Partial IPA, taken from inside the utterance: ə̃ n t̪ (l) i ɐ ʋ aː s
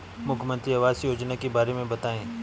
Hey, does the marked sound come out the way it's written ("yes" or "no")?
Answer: no